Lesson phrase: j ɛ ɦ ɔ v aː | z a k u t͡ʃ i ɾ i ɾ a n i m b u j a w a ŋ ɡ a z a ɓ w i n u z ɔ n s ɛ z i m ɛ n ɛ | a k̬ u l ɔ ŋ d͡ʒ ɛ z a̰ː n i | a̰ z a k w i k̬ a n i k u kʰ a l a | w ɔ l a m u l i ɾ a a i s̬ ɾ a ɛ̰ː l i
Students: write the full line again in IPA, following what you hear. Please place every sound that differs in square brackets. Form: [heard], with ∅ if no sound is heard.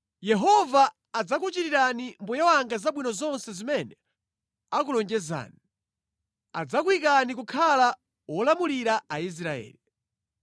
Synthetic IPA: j ɛ ɦ ɔ v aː | [d͡z] a k u t͡ʃ i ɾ i ɾ a n i m b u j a w a ŋ ɡ a z a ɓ w i n [ɔ] z ɔ n s ɛ z i m ɛ n ɛ | a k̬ u l ɔ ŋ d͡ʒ ɛ z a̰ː n i | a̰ [d͡z] a k w i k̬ a n i k u kʰ a l a | w ɔ l a m u l i ɾ a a i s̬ ɾ a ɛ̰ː l i

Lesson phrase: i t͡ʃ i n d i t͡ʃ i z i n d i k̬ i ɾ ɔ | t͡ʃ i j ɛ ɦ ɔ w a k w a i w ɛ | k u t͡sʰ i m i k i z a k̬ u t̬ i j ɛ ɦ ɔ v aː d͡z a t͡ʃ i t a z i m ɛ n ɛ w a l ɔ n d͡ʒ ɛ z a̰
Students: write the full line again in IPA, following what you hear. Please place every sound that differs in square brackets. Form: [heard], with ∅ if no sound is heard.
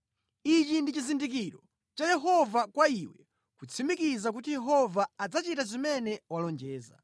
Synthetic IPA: i t͡ʃ i n d i t͡ʃ i z i n d i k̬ i ɾ ɔ | t͡ʃ [a] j ɛ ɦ ɔ [v] a k w a i w ɛ | k u t͡sʰ i m i k i z a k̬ u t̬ i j ɛ ɦ ɔ v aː d͡z a t͡ʃ i t a z i m ɛ n ɛ w a l ɔ n d͡ʒ [ɛː] z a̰

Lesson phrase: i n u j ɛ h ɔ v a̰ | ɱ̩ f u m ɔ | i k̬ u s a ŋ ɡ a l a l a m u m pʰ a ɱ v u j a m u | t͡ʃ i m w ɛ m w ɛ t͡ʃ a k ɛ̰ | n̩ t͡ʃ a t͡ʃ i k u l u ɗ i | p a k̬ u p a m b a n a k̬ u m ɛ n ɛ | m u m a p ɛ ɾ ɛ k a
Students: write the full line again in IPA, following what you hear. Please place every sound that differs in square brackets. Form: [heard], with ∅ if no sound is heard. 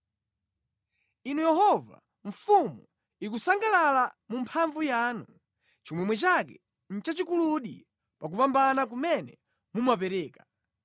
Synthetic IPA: i n u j ɛ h ɔ v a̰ | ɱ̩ f u m [u] | i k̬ u s a ŋ ɡ a l a l a m u m pʰ a ɱ v u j a [n] u | t͡ʃ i m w ɛ m w ɛ t͡ʃ a k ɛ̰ | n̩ t͡ʃ a t͡ʃ i k u l u ɗ i | p a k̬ u p a m b a n a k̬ u m ɛ n ɛ | m u m a p ɛ ɾ [ɛː] k a

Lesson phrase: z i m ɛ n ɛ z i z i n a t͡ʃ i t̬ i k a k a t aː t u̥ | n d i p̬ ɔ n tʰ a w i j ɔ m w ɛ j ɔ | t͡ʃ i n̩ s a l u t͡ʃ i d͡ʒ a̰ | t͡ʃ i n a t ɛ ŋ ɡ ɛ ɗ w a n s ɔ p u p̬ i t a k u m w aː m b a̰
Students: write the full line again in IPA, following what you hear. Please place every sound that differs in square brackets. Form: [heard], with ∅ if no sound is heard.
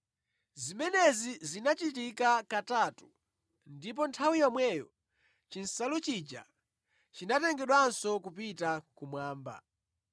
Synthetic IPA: z i m ɛ n ɛ z i z i n a t͡ʃ i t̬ i k a k a t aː t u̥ | n d i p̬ ɔ n tʰ a w i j ɔ m w ɛ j ɔ | t͡ʃ i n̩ s a l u t͡ʃ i d͡ʒ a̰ | t͡ʃ i n a t ɛ ŋ ɡ ɛ ɗ w a n s ɔ [k] u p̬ i t a k u m w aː m b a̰

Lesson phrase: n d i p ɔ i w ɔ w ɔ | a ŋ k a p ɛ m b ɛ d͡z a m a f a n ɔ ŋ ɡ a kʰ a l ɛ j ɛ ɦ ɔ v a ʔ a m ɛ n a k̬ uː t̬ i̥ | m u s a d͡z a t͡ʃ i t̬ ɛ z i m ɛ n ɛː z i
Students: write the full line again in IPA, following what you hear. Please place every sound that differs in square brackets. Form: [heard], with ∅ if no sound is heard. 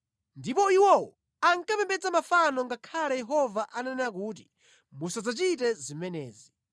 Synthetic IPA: n d i p ɔ i w ɔ w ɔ | a ŋ k a p ɛ m b ɛ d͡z a m a f a n ɔ ŋ ɡ a kʰ a l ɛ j ɛ ɦ ɔ v a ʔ a [n] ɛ n a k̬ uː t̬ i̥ | m u s a d͡z a t͡ʃ i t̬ ɛ z i m ɛ n ɛː z i

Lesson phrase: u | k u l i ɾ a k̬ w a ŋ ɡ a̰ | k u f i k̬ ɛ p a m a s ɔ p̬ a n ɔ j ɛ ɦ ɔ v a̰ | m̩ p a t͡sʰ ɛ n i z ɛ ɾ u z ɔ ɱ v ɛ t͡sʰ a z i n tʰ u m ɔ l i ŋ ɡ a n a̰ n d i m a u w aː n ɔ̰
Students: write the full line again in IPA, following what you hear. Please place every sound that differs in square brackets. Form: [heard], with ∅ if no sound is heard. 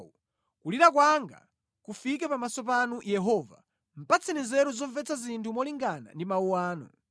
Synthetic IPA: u | k u l i ɾ a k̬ w a ŋ ɡ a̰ | k u f i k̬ ɛ p a m a s ɔ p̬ a n [u] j ɛ ɦ ɔ v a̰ | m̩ p a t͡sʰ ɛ n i z ɛ ɾ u z ɔ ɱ v ɛ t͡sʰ a z i n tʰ u m ɔ l i ŋ ɡ a n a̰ n d i m a u w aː n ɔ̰

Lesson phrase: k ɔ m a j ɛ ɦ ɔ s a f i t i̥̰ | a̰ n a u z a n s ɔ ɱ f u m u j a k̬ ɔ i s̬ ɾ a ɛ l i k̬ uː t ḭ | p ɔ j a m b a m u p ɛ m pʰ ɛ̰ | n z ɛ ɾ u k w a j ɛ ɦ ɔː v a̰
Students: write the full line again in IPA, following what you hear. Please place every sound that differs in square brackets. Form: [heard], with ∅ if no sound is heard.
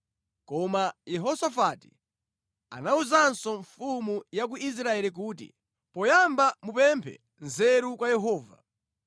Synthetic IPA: k ɔ m a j ɛ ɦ ɔ s a f [a] t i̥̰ | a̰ n a u z a n s ɔ ɱ f u m u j a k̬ [u] i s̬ ɾ a ɛ l i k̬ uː t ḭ | p ɔ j a m b a m u p ɛ m pʰ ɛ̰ | n z ɛ ɾ u k w a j ɛ ɦ ɔː v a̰

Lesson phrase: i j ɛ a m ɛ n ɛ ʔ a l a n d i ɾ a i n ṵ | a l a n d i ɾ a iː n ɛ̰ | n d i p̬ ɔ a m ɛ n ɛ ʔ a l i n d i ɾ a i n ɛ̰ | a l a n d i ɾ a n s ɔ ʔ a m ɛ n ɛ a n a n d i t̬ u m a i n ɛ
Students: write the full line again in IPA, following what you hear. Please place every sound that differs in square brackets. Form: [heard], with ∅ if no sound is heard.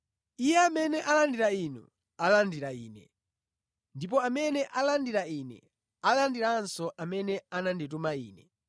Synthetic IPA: i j ɛ a m ɛ n ɛ ʔ a l a n d i ɾ a i n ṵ | a l a n d i ɾ a iː n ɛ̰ | n d i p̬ ɔ a m ɛ n ɛ ʔ a l [a] n d i ɾ a i n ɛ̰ | a l a n d i ɾ a n s ɔ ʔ a m ɛ n ɛ a n a n d i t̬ u m a [iː] n ɛ

